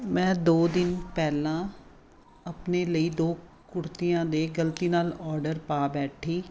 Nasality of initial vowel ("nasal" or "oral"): nasal